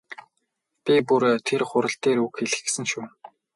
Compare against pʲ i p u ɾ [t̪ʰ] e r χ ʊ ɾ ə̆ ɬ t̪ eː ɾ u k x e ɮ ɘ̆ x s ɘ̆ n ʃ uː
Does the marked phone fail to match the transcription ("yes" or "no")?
no